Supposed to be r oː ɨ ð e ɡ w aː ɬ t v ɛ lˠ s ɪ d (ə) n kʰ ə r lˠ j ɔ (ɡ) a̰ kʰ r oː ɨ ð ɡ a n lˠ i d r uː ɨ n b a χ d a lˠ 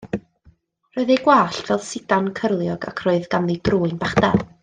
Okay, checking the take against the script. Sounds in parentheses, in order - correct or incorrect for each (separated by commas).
incorrect, correct